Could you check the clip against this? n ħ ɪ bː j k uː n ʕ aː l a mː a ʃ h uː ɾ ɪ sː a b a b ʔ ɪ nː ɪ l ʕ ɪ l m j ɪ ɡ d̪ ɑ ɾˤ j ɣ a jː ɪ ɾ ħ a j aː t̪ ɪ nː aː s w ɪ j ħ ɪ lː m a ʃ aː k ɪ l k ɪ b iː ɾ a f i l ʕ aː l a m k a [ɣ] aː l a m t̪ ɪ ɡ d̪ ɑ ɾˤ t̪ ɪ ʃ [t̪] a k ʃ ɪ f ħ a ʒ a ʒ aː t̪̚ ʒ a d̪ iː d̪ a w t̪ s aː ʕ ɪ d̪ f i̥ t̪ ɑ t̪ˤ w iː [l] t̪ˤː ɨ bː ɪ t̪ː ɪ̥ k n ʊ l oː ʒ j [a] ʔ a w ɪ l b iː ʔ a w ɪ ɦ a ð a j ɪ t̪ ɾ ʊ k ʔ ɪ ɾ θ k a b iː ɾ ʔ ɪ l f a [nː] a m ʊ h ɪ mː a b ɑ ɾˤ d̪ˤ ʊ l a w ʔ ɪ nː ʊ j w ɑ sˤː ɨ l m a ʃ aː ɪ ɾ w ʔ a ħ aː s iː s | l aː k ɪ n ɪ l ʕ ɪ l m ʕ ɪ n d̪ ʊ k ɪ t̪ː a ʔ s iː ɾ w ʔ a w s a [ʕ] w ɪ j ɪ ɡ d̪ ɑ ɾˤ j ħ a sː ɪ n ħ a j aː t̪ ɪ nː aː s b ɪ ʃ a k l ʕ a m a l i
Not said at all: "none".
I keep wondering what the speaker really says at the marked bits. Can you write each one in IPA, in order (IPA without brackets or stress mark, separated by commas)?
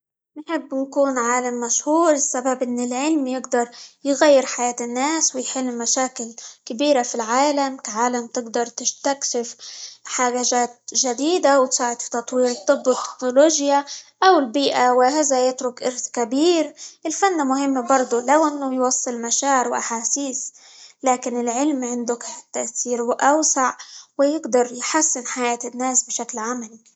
ʕ, t̪, ɾ, a, nː, ʕ